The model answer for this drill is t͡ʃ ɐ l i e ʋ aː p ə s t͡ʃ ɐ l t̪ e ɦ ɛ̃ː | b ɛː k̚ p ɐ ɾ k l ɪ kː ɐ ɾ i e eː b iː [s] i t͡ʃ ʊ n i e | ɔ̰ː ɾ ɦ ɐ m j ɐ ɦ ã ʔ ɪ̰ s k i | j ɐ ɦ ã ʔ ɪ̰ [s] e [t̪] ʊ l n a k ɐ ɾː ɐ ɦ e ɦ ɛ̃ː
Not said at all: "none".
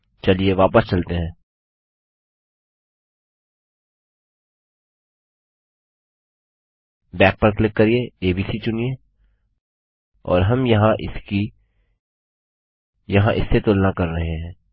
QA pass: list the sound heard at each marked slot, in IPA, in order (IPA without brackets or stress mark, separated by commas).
s, sː, t̪